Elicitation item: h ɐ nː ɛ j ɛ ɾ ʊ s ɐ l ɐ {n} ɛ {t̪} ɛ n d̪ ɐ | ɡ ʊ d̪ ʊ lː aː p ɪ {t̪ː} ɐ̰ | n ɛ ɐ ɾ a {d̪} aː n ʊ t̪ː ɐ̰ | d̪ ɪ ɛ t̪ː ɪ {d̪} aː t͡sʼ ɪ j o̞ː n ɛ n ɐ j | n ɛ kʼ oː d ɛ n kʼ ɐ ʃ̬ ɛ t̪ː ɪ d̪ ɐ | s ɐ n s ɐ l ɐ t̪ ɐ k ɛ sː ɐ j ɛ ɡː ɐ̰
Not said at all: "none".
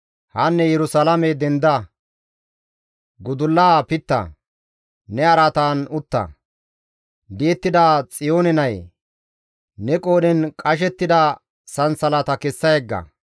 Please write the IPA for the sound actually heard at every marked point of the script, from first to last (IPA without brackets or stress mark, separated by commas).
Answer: m, d̪, t̪ː, t̪, d̪